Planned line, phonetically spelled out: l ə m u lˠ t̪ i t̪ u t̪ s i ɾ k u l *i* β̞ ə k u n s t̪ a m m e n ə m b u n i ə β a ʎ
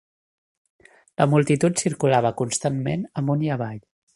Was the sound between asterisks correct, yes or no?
no